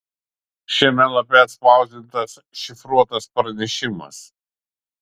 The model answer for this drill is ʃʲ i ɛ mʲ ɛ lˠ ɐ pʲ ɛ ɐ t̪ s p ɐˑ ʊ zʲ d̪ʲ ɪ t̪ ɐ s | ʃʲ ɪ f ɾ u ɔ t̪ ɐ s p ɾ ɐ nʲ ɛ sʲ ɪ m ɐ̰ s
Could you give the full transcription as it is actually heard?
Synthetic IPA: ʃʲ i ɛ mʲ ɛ lˠ ɐ pʲ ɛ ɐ t̪ s p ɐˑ ʊ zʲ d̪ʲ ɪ t̪ ɐ s | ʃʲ ɪ f ɾ u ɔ t̪ ɐ s p ɾ ɐ nʲ ɛ ʃʲ ɪ m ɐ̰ s